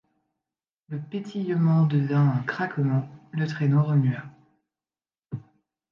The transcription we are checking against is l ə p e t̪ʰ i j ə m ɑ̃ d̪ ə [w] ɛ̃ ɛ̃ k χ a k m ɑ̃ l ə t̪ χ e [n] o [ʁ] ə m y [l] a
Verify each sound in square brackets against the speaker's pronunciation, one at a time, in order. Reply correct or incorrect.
incorrect, correct, correct, incorrect

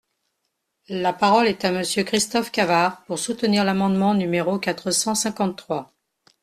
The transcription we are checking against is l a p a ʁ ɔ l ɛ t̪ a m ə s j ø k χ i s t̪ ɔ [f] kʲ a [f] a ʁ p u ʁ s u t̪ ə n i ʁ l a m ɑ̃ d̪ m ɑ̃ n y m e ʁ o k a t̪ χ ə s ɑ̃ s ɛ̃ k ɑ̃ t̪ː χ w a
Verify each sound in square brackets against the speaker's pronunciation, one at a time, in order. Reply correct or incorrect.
correct, incorrect

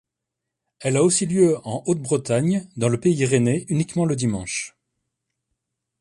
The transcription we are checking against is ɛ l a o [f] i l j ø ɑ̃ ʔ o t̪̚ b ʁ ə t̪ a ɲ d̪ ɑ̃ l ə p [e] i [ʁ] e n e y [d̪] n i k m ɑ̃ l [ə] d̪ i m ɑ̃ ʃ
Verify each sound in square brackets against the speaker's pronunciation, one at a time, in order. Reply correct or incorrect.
incorrect, correct, correct, incorrect, correct

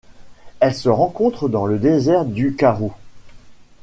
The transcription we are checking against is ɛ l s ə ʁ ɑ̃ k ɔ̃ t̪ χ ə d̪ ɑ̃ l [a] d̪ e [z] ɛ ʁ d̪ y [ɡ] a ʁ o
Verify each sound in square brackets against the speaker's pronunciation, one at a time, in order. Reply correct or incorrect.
incorrect, correct, incorrect

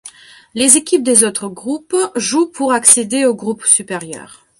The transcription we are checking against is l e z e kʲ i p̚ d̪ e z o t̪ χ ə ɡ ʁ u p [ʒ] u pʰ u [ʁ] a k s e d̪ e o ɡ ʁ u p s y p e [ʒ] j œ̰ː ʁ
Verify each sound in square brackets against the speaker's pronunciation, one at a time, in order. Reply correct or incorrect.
correct, correct, incorrect

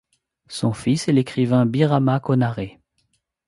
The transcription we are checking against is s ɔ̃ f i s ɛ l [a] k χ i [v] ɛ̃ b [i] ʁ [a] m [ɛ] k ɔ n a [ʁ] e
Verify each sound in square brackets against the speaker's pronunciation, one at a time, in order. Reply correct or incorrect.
incorrect, correct, correct, correct, incorrect, correct

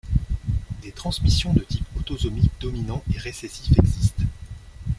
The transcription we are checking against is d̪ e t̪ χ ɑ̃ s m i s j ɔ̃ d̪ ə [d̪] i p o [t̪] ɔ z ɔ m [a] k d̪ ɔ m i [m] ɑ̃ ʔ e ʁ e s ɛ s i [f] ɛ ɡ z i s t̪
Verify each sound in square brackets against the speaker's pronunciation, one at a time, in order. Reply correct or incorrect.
incorrect, correct, incorrect, incorrect, correct

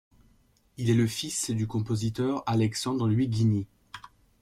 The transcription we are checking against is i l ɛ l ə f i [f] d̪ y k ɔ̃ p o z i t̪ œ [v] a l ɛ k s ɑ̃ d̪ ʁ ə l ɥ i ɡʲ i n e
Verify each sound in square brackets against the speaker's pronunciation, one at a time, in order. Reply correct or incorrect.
incorrect, incorrect

